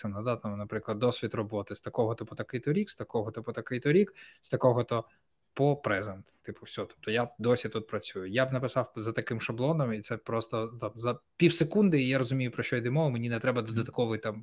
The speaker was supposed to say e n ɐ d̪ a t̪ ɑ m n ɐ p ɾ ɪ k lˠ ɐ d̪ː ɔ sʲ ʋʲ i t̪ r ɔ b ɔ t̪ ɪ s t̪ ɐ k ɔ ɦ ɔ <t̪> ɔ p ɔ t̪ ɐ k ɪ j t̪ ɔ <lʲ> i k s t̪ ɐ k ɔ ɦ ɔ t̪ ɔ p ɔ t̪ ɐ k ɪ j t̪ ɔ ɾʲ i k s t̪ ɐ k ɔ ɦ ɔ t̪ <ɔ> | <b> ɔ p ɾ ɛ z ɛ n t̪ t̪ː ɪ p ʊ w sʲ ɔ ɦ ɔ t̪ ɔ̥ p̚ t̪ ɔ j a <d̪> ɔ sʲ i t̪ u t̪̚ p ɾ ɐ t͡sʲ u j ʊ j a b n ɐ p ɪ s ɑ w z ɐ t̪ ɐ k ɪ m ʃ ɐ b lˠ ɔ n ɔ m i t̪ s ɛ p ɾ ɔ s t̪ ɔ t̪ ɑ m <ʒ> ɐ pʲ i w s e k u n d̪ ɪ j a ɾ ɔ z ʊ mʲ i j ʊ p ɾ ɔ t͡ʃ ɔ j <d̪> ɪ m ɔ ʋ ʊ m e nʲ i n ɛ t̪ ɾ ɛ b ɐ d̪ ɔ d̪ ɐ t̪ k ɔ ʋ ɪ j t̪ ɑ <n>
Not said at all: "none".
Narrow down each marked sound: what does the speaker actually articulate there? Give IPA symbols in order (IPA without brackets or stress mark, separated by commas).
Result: t̪, ɾʲ, ɔ, p, d̪, z, d̪, m